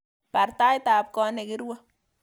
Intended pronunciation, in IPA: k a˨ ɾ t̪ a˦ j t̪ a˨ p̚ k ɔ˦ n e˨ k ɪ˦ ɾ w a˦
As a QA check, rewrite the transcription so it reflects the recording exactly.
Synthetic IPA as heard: p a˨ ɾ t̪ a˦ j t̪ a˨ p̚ k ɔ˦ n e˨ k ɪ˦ ɾ w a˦